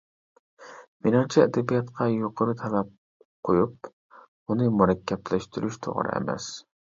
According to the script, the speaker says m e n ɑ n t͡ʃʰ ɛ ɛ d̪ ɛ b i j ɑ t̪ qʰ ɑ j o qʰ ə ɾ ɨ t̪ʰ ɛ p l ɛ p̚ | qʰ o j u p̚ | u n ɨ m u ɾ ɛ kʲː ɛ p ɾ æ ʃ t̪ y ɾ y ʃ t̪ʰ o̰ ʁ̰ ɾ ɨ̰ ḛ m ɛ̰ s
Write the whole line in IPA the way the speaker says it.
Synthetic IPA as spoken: m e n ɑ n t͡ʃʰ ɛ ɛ d̪ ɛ b i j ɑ t̪ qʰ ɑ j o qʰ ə ɾ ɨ t̪ʰ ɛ l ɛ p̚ | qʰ o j u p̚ | u n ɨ m u ɾ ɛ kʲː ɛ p l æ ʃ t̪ y ɾ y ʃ t̪ʰ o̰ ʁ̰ ɾ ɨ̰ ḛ m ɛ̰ s